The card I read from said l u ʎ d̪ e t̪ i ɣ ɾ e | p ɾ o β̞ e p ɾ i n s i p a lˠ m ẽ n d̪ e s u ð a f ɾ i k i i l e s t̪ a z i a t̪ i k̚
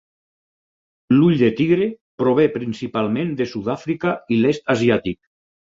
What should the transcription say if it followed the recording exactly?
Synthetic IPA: l u ʎ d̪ e t̪ i ɣ ɾ e | p ɾ o β̞ e p ɾ i n s i p a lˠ m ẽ n d̪ e s u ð a f ɾ i k a i l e s t̪ a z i a t̪ i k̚